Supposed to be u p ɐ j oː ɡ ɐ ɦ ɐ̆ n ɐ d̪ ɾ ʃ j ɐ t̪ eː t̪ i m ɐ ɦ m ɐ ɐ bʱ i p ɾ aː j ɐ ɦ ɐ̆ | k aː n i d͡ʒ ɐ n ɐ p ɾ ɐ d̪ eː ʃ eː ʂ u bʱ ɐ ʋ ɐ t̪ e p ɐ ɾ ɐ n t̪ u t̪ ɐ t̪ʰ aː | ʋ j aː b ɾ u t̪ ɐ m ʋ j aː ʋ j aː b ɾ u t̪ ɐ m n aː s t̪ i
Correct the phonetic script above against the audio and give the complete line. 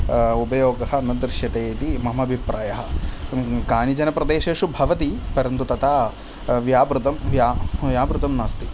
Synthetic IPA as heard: u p ɐ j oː ɡ ɐ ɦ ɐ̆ n ɐ d̪ ɾ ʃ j ɐ t̪ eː t̪ i m ɐ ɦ m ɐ ɐ bʱ i p ɾ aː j ɐ ɦ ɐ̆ | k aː n i d͡ʒ ɐ n ɐ p ɾ ɐ d̪ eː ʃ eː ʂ u bʱ ɐ ʋ ɐ t̪ i p ɐ ɾ ɐ n t̪ u t̪ ɐ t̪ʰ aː | ʋ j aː b ɾ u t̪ ɐ m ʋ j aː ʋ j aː b ɾ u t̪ ɐ m n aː s t̪ i